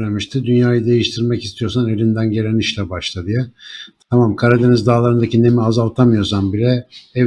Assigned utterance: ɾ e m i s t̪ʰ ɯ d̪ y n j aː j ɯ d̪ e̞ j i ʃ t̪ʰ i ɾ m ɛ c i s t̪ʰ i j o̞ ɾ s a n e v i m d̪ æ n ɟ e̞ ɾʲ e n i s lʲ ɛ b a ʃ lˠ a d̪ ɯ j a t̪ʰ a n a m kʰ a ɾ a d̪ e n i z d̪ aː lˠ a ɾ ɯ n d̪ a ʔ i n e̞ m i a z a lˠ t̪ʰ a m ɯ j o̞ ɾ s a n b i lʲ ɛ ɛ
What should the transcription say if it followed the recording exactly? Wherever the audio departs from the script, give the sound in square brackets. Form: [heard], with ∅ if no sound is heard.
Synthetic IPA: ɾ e m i [ʃ] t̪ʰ ɯ d̪ y n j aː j ɯ d̪ e̞ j i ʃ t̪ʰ i ɾ m ɛ c i s t̪ʰ i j o̞ ɾ s a n e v i [n] d̪ æ n ɟ e̞ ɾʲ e n i [ʃ] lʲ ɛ b a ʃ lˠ a d̪ ɯ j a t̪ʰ a [m] a m kʰ a ɾ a d̪ e n i z d̪ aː lˠ a ɾ ɯ n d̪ a [c] i n e̞ m i a z a lˠ t̪ʰ a m ɯ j o̞ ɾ s a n b i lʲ ɛ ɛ